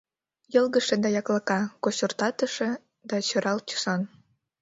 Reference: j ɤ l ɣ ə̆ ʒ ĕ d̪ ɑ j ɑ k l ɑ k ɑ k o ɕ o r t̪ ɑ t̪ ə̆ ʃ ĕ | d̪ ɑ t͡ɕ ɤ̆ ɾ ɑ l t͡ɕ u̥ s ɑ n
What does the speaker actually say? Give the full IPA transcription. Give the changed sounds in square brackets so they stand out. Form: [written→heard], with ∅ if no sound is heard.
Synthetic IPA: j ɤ l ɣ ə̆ [ʒ→ʃ] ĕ d̪ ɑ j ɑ k l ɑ k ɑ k o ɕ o r t̪ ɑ t̪ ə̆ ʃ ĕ | d̪ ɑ t͡ɕ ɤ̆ ɾ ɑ l t͡ɕ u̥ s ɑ n